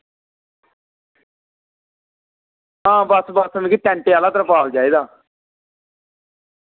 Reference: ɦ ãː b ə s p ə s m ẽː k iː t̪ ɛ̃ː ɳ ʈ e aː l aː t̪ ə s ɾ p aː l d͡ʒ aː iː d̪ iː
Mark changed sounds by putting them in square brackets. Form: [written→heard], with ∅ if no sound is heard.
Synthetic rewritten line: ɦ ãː b ə s [p→b] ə s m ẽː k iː t̪ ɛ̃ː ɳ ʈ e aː l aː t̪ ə [s→∅] ɾ p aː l d͡ʒ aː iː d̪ [iː→aː]